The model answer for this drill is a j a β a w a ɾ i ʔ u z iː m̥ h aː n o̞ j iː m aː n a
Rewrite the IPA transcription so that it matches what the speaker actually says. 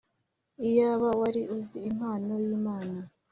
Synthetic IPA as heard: i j a β a w a ɾ i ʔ u z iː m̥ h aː n o̞ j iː m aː n a